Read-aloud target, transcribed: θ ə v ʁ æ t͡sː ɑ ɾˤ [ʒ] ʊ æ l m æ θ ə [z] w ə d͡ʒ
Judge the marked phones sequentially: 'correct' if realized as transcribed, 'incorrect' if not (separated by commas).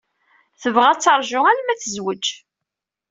correct, correct